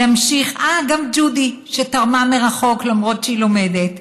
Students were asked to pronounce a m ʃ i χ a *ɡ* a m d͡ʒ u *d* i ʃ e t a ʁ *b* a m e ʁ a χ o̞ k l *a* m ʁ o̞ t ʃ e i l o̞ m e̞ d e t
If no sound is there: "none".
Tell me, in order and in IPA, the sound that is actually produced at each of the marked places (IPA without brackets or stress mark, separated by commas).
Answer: ɡ, d, m, a